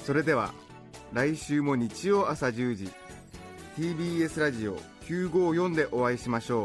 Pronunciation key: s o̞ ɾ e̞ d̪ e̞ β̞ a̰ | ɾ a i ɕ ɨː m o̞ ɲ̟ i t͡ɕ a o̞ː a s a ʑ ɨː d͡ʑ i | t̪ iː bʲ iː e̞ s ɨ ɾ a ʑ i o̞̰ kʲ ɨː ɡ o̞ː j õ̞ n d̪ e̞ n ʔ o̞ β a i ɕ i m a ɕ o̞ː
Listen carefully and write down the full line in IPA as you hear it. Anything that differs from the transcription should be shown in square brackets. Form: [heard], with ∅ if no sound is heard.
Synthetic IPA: s o̞ ɾ e̞ d̪ e̞ β̞ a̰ | ɾ a i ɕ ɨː m o̞ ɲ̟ i t͡ɕ [i] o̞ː a s a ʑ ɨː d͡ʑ i | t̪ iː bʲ iː e̞ s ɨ ɾ a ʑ i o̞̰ kʲ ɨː ɡ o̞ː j õ̞ n d̪ e̞ [∅] ʔ o̞ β a i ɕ i m a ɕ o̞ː